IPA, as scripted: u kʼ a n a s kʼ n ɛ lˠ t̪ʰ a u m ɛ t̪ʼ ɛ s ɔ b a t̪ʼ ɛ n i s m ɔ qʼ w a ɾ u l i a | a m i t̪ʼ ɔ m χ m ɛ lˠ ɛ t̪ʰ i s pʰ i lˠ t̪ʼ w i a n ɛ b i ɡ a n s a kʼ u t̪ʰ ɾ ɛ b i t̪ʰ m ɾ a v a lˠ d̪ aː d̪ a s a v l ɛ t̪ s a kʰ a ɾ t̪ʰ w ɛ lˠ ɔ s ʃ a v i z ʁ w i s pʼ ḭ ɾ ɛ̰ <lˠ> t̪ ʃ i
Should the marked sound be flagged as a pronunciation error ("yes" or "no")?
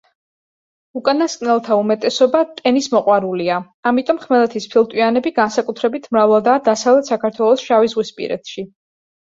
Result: yes